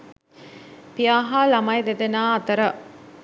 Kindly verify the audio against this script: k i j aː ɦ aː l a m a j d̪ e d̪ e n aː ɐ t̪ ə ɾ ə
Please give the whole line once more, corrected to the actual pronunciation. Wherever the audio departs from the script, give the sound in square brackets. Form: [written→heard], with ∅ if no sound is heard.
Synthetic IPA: [k→p] i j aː ɦ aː l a m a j d̪ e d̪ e n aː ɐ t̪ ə ɾ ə